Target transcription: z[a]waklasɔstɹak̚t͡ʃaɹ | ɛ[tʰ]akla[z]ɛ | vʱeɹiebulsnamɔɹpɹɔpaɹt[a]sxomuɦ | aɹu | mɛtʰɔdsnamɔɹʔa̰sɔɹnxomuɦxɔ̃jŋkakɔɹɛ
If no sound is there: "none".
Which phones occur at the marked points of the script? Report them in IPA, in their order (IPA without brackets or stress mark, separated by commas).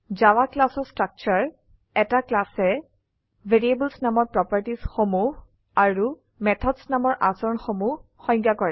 a, t, s, i